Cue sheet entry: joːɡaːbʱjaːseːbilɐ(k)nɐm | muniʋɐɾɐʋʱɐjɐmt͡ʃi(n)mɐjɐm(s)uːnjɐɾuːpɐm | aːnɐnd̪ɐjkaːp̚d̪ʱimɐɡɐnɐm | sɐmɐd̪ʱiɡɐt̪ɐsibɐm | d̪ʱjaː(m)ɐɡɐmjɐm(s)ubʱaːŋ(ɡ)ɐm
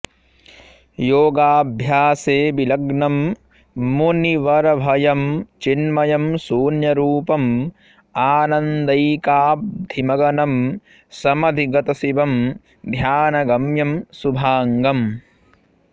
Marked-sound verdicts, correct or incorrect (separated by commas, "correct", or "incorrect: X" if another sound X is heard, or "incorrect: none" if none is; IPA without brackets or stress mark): incorrect: ɡ, correct, correct, incorrect: n, correct, correct